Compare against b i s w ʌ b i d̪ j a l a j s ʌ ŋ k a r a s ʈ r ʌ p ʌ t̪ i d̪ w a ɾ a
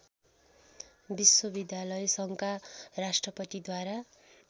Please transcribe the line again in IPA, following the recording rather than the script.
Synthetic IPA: b i s w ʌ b i d̪ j a l ʌ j s ʌ ŋ k a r a s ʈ r ʌ p ʌ t̪ i d̪ w a ɾ a